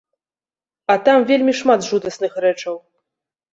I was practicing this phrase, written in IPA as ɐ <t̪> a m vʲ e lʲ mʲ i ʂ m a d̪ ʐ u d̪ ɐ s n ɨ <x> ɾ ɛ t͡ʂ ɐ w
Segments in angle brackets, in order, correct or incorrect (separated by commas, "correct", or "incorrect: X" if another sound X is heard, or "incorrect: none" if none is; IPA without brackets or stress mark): correct, correct